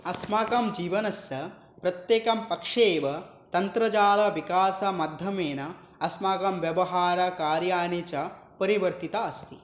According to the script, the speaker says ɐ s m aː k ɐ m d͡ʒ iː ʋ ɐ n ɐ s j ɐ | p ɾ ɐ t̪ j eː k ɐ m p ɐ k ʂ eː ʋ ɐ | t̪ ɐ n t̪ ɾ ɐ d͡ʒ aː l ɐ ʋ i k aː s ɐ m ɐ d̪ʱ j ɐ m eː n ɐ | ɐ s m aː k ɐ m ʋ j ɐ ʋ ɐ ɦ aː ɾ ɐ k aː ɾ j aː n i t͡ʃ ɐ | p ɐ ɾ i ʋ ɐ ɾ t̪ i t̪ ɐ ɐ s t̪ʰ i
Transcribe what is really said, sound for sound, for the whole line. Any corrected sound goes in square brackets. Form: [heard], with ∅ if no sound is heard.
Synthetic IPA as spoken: ɐ s m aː k ɐ m d͡ʒ iː ʋ ɐ n ɐ s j ɐ | p ɾ ɐ t̪ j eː k ɐ m p ɐ k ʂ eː ʋ ɐ | t̪ ɐ n t̪ ɾ ɐ d͡ʒ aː l ɐ ʋ i k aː s ɐ m ɐ d̪ʱ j ɐ m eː n ɐ | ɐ s m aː k ɐ m ʋ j ɐ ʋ ɐ ɦ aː ɾ ɐ k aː ɾ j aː n i t͡ʃ ɐ | p ɐ ɾ i ʋ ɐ ɾ t̪ i t̪ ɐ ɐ s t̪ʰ i